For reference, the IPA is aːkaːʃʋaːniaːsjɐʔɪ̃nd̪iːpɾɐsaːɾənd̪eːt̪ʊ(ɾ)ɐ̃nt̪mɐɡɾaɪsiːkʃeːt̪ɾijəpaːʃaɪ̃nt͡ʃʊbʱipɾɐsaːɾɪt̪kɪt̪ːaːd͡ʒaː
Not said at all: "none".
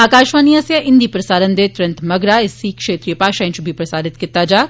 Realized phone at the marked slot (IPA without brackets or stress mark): ɾ